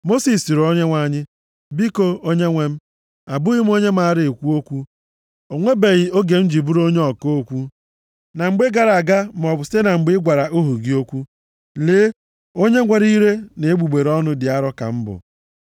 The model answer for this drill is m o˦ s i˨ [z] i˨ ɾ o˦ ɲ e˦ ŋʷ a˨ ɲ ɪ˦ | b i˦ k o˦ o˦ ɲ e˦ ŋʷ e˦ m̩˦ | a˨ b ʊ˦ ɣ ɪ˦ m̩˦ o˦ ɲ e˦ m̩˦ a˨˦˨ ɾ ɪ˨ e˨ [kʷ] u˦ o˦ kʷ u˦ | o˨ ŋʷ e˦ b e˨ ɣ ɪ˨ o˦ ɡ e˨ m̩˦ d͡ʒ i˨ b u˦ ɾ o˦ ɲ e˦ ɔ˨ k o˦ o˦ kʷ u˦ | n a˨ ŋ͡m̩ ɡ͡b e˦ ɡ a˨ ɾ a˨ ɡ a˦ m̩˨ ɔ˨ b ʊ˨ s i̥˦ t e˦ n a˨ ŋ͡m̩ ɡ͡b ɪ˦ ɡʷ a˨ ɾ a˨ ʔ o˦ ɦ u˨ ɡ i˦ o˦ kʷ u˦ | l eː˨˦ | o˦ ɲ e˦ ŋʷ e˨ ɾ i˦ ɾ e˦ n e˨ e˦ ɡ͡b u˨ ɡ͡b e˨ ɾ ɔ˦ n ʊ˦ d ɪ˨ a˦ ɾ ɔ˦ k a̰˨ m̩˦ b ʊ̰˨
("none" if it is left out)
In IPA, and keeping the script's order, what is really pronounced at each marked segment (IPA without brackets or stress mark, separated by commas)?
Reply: s, kʷ